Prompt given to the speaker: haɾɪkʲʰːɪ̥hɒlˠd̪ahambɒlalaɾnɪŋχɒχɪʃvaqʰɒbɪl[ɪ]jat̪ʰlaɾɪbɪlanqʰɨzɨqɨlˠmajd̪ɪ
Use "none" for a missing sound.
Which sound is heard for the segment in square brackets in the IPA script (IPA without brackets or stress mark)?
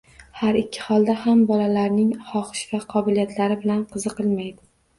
i